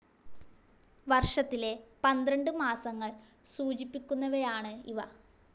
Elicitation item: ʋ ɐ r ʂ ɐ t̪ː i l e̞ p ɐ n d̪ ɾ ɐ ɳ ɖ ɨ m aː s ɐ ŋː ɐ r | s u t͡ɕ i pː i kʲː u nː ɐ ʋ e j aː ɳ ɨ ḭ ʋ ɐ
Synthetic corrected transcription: ʋ ɐ r ʂ ɐ t̪ː i l e̞ p ɐ n d̪ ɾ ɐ ɳ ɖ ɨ m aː s ɐ ŋː ɐ ɭ | s uː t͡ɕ i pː i kʲː u nː ɐ ʋ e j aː ɳ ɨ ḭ ʋ ɐ